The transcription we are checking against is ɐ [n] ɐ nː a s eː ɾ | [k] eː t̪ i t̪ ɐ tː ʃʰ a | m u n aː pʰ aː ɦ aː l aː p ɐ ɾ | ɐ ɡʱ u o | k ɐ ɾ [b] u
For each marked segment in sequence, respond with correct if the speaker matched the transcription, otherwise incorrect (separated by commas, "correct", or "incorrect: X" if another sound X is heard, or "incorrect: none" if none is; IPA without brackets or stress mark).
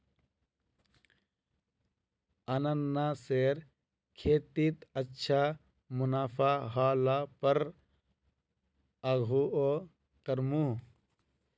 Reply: correct, incorrect: kʰ, incorrect: m